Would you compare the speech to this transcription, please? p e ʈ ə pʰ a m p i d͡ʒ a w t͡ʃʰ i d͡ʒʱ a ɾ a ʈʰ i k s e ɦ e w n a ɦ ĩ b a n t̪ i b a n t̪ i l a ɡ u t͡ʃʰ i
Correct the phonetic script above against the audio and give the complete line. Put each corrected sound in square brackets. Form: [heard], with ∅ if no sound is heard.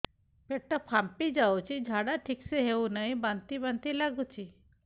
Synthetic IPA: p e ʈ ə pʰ a m p i d͡ʒ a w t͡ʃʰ i d͡ʒʱ a [ɽ] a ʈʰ i k s e ɦ e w n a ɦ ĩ b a n t̪ i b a n t̪ i l a ɡ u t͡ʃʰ i